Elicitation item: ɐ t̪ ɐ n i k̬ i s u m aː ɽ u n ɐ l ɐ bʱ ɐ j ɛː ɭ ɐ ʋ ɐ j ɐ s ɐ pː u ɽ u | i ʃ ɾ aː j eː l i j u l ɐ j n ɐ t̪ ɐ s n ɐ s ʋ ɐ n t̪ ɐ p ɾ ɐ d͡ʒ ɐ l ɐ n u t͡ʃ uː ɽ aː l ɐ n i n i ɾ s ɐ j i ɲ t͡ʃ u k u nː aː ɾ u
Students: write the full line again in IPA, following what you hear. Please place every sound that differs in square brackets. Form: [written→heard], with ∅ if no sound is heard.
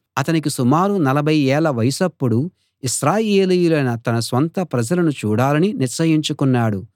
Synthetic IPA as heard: ɐ t̪ ɐ n i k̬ i s u m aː [ɽ→ɾ] u n ɐ l ɐ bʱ ɐ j ɛː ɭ ɐ ʋ ɐ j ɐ s ɐ pː u ɽ u | i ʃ ɾ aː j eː l i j u l ɐ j n ɐ t̪ ɐ [s→∅] n ɐ s ʋ ɐ n t̪ ɐ p ɾ ɐ d͡ʒ ɐ l ɐ n u t͡ʃ uː ɽ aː l ɐ n i n i ɾ s ɐ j i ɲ t͡ʃ u k u nː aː [ɾ→ɽ] u